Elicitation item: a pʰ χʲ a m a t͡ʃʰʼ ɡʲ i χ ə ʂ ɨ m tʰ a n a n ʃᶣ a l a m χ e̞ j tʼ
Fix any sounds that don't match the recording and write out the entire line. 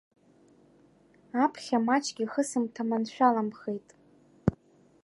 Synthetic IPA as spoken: a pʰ χʲ a m a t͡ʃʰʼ ɡʲ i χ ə s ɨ m tʰ a m a n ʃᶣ a l a m χ e̞ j tʼ